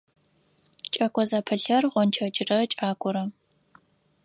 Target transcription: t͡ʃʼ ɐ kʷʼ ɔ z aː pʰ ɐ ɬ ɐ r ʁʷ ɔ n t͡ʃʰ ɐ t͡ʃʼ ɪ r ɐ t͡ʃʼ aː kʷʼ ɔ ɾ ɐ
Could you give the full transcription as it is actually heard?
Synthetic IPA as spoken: t͡ʃʼ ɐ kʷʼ ɔ z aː pʰ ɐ ɬ ɐ r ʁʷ ɔ n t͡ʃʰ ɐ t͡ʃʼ ɪ r ɐ t͡ʃʼ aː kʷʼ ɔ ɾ ɐ